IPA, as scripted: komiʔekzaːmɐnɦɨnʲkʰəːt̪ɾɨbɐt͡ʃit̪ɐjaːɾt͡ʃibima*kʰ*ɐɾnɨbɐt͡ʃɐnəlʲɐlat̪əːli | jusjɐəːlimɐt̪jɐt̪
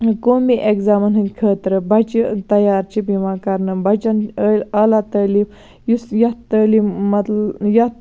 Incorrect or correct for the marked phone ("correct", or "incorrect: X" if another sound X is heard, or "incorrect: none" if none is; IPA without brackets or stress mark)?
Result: incorrect: k